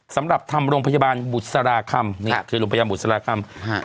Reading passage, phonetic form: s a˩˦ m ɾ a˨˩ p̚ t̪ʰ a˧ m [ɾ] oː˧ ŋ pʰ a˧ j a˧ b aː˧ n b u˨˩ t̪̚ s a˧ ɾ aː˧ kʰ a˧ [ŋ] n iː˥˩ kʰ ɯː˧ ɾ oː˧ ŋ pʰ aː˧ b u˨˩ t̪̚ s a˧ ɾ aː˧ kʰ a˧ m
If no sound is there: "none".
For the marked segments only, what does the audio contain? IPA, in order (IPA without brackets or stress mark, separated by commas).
ɾ, m